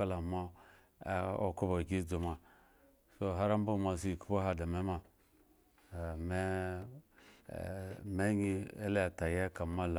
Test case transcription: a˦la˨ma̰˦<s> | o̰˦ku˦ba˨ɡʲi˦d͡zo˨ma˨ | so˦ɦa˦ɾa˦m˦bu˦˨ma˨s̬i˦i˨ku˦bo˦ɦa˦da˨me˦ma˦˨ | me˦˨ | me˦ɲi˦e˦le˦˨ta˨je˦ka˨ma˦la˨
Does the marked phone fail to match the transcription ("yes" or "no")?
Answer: yes